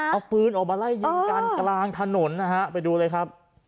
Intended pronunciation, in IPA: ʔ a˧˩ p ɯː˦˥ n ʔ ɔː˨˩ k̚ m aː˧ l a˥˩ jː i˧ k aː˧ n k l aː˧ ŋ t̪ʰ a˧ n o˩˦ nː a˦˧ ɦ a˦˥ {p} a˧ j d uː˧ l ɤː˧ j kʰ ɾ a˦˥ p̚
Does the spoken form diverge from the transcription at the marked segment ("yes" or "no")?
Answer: no